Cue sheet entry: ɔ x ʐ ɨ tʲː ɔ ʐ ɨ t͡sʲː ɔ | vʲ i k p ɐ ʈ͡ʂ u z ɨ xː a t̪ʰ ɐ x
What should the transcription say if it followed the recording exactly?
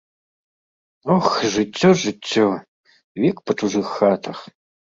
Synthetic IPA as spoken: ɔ x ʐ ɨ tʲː ɔ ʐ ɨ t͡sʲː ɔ | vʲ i k p ɐ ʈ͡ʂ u ʐ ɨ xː a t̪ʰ ɐ x